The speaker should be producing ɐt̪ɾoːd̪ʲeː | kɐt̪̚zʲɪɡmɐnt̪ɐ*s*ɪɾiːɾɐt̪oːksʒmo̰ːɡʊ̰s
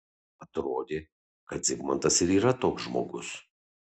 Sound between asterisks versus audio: correct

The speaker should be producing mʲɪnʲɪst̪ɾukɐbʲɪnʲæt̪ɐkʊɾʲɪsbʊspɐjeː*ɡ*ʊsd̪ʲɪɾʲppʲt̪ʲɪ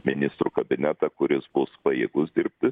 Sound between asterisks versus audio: correct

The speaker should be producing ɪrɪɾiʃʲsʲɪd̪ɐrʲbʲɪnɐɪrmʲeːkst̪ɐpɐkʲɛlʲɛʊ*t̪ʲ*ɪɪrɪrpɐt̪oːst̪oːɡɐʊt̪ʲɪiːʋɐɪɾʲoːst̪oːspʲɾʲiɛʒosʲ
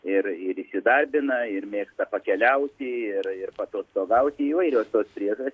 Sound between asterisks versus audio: correct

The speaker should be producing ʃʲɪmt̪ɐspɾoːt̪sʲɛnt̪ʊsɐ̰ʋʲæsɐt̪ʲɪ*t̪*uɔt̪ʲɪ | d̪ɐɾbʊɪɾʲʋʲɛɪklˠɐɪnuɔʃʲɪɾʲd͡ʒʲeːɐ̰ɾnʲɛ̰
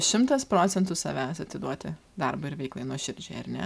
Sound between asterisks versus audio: incorrect: d̪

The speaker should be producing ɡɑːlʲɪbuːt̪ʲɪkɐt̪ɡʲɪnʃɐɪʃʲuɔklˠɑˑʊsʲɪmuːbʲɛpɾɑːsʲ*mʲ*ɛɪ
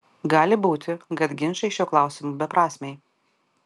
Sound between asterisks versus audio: correct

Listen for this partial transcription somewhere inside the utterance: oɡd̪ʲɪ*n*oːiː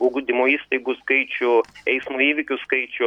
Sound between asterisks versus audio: incorrect: m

